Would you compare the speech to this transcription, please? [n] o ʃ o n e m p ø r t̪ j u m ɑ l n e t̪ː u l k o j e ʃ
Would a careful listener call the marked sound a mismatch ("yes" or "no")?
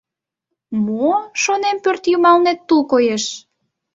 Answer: yes